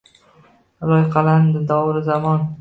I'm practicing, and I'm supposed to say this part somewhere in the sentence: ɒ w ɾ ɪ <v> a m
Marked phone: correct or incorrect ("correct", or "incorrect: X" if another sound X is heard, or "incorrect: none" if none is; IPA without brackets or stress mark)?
incorrect: z